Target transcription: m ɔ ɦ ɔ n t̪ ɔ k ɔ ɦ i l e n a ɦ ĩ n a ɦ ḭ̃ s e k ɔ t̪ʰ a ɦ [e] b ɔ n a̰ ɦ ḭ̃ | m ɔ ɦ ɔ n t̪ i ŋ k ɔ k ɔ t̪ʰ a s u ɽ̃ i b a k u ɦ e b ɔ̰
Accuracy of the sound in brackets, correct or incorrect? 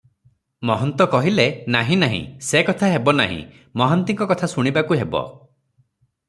correct